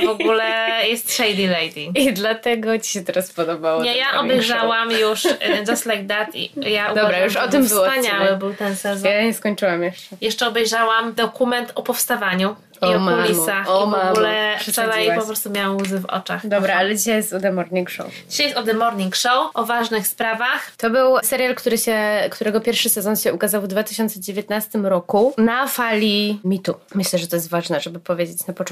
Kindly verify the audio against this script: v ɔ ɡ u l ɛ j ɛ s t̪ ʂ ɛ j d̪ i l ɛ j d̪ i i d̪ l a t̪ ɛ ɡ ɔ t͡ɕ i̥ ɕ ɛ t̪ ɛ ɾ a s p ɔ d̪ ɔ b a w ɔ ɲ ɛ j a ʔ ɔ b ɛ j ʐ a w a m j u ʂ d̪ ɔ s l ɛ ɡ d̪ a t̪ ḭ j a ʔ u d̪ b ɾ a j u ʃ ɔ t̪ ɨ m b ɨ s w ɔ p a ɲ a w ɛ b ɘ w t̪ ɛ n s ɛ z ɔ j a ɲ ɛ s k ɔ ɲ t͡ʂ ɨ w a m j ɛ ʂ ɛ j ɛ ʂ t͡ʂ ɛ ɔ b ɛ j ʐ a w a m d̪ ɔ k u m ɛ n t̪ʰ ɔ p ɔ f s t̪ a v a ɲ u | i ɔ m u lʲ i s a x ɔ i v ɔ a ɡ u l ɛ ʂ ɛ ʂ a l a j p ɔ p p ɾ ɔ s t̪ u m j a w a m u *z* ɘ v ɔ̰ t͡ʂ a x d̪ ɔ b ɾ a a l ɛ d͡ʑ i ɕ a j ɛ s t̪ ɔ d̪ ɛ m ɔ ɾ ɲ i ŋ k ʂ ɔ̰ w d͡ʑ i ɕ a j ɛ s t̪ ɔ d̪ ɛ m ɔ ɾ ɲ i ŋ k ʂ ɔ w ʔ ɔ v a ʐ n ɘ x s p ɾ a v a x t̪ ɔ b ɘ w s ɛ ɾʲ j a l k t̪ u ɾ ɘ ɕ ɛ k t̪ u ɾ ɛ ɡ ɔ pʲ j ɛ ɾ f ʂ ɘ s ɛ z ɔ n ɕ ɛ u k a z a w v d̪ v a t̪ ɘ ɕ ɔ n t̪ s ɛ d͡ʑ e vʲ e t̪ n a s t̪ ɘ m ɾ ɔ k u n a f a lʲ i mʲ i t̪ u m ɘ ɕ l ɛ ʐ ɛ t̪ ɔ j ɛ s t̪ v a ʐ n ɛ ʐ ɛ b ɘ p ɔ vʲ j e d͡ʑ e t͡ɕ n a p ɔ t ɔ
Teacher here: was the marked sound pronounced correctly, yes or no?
yes